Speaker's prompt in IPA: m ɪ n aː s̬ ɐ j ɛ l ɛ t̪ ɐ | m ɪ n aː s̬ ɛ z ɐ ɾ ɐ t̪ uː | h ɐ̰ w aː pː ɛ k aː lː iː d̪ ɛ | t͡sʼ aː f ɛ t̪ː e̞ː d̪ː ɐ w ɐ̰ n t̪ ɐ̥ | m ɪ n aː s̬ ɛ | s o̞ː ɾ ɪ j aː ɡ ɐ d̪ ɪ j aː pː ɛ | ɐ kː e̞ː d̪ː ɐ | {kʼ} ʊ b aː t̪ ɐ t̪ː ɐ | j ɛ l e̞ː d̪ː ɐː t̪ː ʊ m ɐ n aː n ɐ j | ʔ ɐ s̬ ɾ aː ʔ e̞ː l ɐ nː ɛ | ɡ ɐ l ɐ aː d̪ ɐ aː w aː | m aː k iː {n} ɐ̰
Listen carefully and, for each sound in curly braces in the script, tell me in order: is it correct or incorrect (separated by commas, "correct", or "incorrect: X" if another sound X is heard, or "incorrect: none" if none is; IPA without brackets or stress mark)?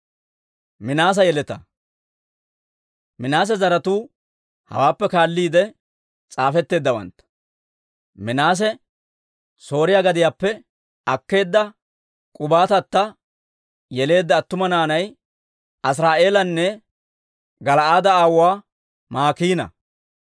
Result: correct, correct